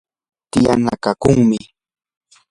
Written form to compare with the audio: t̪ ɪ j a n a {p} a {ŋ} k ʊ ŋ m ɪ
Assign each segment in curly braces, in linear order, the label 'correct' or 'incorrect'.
incorrect, incorrect

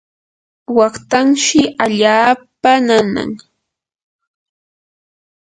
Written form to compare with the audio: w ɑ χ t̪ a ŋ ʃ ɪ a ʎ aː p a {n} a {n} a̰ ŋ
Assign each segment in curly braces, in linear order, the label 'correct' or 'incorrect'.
correct, correct

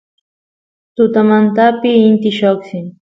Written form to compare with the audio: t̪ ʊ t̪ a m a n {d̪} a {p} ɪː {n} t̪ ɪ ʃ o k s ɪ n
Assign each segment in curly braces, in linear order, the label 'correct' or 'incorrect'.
incorrect, correct, correct

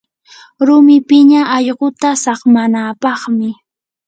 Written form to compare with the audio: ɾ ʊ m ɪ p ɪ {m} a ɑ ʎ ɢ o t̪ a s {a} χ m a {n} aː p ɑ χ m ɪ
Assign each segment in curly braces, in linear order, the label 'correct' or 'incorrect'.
incorrect, incorrect, correct

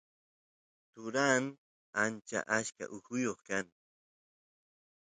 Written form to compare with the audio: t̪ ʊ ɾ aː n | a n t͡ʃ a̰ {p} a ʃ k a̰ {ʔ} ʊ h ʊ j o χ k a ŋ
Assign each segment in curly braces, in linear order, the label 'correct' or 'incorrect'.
incorrect, correct

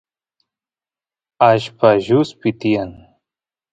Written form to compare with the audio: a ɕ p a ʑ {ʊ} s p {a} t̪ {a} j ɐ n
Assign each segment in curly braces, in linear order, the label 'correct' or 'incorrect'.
incorrect, incorrect, incorrect

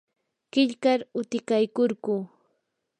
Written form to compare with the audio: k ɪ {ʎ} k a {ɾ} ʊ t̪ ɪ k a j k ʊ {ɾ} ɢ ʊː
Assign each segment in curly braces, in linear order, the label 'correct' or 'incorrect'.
correct, correct, correct

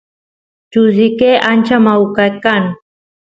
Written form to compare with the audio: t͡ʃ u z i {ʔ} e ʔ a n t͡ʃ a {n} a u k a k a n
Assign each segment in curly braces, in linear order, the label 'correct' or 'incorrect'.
incorrect, incorrect

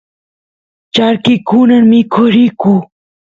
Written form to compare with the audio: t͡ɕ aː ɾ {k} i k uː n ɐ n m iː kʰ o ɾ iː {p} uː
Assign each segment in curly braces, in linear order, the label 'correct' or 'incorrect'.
correct, incorrect

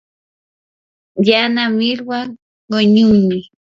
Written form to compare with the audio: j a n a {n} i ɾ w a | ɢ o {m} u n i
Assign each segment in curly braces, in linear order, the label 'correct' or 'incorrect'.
incorrect, incorrect

